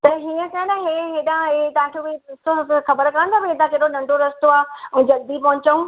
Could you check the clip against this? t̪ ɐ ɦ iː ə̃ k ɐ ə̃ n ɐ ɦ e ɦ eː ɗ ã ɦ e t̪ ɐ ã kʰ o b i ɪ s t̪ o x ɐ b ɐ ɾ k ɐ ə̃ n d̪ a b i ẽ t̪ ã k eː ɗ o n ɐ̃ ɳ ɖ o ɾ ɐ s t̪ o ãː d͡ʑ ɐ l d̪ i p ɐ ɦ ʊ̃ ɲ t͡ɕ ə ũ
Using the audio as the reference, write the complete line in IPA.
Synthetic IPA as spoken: t̪ ɐ ɦ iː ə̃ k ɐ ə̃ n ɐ ɦ e ɦ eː ɗ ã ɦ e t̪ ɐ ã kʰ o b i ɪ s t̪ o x ɐ b ə ɾ k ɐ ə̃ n d̪ a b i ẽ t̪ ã k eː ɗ o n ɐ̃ ɳ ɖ o ɾ ɐ s t̪ o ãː d͡ʑ ɐ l d̪ i p ɐ ɦ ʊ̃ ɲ t͡ɕ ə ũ